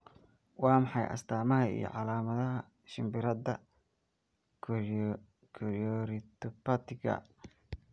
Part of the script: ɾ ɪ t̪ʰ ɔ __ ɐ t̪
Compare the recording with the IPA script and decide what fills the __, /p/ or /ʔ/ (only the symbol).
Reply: p